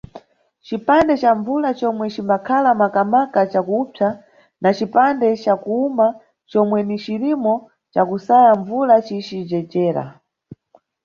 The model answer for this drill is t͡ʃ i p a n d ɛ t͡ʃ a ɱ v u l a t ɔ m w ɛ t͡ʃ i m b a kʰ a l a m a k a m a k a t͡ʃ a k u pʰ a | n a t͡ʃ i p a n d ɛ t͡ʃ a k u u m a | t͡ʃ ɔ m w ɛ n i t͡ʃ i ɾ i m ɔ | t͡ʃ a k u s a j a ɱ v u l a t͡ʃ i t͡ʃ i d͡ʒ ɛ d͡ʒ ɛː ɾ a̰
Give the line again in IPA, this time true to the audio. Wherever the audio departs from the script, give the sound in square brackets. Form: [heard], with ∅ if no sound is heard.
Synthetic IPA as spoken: t͡ʃ i p a n d ɛ t͡ʃ a ɱ v u l a [t͡ʃ] ɔ m w ɛ t͡ʃ i m b a kʰ a l a m a k a m a k a t͡ʃ a k u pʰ a | n a t͡ʃ i p a n d ɛ t͡ʃ a k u u m a | t͡ʃ ɔ m w ɛ n i t͡ʃ i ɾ i m ɔ | t͡ʃ a k u s a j a ɱ v u l a t͡ʃ i t͡ʃ i d͡ʒ ɛ d͡ʒ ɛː ɾ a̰

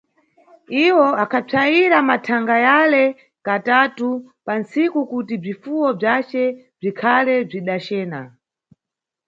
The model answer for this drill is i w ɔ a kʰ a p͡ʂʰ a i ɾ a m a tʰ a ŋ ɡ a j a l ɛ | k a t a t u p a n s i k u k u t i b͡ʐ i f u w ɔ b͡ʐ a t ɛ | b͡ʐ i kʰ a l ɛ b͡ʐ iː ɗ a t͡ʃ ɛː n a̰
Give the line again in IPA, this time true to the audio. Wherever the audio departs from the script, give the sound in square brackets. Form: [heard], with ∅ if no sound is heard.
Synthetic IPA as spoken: i w ɔ a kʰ a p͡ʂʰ a i ɾ a m a tʰ a ŋ ɡ a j a l ɛ | k a t a t u p a n s i k u k u t i b͡ʐ i f u w ɔ b͡ʐ a [t͡ʃ] ɛ | b͡ʐ i kʰ a l ɛ b͡ʐ [i] ɗ a t͡ʃ ɛː n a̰

